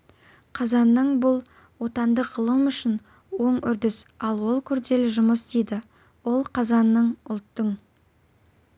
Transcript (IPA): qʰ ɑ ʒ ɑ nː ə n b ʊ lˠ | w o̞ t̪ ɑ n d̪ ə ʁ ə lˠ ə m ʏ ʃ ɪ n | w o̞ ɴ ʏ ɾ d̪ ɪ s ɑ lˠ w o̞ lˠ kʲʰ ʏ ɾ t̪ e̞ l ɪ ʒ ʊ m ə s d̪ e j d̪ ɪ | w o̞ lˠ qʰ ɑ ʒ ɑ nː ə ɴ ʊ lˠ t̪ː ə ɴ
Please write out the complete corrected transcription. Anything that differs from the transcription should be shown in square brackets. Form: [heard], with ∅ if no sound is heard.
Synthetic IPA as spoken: qʰ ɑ [z] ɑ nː ə [ɴ] b ʊ lˠ | w o̞ t̪ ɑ n d̪ ə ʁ ə lˠ ə m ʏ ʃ ɪ n | w o̞ ɴ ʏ ɾ d̪ ɪ s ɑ lˠ w o̞ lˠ kʲʰ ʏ ɾ [d̪] e̞ l ɪ ʒ ʊ m ə s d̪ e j d̪ ɪ | w o̞ lˠ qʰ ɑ [z] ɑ nː ə ɴ ʊ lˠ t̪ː ə ɴ